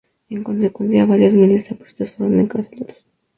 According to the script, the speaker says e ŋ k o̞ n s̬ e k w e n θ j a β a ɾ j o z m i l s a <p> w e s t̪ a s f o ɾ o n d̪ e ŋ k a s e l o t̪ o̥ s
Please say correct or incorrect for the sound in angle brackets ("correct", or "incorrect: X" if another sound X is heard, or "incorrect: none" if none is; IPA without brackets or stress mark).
correct